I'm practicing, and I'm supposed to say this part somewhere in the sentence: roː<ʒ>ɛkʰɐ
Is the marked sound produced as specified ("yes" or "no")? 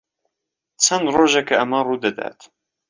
yes